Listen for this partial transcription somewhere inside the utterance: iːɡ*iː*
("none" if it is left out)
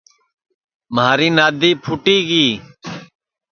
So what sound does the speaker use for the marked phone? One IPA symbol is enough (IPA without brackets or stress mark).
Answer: iː